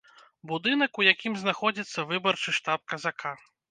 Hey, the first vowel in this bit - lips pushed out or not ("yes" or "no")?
yes